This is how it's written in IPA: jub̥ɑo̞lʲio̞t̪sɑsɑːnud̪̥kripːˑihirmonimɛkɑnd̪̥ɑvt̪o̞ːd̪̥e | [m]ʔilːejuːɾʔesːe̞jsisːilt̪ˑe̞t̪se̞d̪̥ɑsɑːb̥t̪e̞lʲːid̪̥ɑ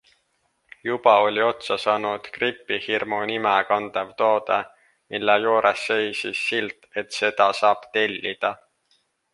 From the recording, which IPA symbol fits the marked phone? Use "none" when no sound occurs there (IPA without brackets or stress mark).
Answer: m